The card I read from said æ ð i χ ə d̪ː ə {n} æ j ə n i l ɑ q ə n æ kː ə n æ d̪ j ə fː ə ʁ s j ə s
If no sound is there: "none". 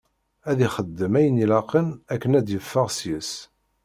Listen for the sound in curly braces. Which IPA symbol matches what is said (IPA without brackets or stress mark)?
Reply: m